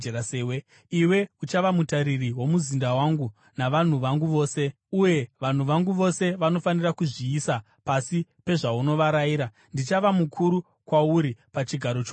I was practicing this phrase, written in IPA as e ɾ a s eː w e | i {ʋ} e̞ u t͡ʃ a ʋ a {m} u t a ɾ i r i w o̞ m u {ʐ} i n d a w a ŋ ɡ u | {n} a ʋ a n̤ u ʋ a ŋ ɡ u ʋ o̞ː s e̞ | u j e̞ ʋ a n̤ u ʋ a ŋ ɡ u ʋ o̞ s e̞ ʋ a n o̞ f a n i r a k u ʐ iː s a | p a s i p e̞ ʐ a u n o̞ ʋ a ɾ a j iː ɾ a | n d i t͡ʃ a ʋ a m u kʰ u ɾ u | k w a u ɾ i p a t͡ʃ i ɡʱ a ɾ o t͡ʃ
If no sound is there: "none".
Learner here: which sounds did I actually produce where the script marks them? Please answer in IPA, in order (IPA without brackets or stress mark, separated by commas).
w, m, z, n